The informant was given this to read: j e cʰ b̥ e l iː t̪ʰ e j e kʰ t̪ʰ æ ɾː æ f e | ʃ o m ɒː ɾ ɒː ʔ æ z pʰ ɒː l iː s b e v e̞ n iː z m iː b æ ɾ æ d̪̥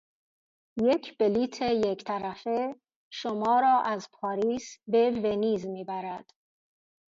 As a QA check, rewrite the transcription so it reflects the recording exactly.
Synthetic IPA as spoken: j e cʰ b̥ e l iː t̪ʰ e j e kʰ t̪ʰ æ ɾ æ f e | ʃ o m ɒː ɾ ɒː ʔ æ z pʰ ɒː ɾ iː s b e v e̞ n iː z m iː b æ ɾ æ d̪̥